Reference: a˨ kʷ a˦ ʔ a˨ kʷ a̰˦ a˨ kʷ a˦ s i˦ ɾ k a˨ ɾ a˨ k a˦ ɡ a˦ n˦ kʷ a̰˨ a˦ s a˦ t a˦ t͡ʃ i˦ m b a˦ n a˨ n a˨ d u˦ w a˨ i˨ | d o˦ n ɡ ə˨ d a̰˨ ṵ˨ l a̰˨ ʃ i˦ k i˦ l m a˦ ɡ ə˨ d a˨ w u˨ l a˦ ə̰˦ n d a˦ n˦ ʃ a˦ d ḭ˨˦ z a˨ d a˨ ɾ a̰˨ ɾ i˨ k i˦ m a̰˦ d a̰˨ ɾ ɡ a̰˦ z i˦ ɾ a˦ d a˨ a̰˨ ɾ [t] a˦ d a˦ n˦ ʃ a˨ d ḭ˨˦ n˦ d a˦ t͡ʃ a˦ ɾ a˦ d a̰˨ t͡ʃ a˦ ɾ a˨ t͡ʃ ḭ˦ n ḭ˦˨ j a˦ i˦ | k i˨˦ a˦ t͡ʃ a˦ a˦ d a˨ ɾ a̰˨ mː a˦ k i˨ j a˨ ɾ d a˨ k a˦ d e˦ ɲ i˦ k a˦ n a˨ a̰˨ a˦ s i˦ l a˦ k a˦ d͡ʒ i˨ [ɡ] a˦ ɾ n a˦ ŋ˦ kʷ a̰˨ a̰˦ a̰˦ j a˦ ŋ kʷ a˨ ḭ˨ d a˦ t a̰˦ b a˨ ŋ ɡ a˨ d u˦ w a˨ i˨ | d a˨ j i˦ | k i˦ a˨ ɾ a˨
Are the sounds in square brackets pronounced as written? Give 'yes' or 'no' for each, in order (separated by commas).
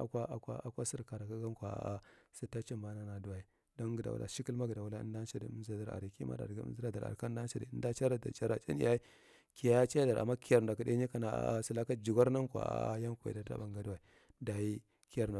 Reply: no, yes